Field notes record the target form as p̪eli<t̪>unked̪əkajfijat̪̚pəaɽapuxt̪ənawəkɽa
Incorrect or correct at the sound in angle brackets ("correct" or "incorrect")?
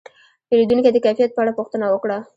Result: incorrect